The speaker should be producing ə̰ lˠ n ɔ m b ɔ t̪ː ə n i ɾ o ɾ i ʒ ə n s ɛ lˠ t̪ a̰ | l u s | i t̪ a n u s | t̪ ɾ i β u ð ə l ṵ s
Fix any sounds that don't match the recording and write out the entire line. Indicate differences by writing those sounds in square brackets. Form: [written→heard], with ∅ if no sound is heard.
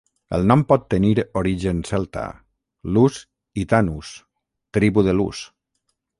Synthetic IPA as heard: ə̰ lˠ n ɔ m [b→p] ɔ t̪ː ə n i ɾ o ɾ i ʒ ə n s ɛ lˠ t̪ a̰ | l u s | i t̪ a n u s | t̪ ɾ i β u ð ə l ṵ s